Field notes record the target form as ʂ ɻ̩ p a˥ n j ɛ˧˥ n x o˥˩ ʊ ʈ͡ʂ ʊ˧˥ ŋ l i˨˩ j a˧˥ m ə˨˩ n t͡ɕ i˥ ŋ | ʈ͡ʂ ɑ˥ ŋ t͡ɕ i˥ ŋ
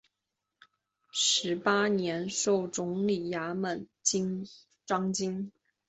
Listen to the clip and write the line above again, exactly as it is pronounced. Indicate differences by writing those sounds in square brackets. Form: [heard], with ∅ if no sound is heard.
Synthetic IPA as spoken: ʂ ɻ̩ p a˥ n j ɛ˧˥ n [ʂ] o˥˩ ʊ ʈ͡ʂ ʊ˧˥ ŋ l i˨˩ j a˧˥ m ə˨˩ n t͡ɕ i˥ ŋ | ʈ͡ʂ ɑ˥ ŋ t͡ɕ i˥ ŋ